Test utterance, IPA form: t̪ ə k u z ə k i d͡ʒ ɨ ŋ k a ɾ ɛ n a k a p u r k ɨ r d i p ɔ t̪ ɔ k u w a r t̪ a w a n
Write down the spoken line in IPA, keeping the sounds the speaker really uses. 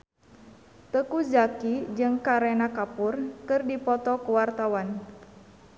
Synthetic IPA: t̪ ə k u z a k i d͡ʒ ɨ ŋ k a ɾ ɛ n a k a p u r k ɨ r d i p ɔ t̪ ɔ k u w a r t̪ a w a n